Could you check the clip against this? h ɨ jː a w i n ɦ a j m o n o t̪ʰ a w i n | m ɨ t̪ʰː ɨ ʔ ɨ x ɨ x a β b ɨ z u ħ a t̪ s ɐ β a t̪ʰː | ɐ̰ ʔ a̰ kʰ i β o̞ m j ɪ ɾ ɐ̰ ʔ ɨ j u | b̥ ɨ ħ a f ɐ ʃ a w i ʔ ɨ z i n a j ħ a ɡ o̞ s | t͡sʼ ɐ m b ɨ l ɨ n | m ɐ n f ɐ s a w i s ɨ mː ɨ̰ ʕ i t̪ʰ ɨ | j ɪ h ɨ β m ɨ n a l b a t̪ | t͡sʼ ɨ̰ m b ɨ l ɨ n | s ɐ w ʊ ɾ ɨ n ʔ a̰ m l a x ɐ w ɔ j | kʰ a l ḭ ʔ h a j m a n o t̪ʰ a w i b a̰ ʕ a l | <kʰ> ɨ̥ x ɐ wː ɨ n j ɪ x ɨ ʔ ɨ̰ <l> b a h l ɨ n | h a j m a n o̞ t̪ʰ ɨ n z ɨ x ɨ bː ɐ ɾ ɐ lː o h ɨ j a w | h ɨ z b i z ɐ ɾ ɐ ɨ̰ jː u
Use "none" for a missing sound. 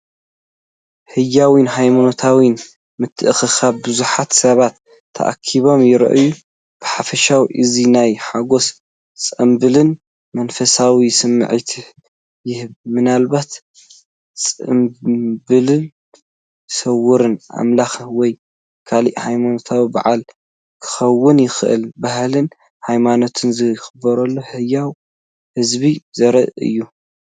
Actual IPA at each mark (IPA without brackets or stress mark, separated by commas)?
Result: kʰ, l